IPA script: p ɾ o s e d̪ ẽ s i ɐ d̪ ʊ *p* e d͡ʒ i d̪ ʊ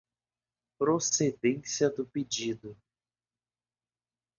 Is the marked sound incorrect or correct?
correct